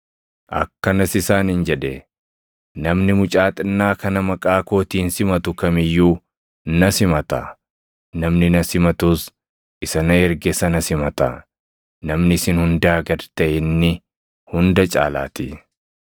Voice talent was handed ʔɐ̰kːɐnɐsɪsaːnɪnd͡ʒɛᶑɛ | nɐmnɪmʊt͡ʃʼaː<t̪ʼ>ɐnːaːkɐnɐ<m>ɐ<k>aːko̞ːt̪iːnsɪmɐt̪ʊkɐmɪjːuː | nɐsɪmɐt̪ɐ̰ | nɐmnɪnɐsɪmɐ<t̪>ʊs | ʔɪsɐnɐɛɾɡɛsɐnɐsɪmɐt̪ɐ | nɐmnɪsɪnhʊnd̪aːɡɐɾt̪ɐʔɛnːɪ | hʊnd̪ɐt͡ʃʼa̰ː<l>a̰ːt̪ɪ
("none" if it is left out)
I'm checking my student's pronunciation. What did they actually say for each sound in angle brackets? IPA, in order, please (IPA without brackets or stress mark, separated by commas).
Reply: t̪ʼ, m, kʼ, t̪, l